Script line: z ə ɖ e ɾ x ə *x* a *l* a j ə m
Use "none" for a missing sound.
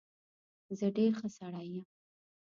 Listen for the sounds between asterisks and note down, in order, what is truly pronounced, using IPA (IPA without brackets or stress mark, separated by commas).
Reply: s, ɽ